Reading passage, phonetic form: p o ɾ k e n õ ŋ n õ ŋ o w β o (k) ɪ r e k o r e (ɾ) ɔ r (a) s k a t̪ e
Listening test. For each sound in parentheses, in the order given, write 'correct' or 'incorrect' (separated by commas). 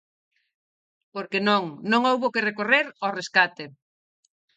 correct, correct, incorrect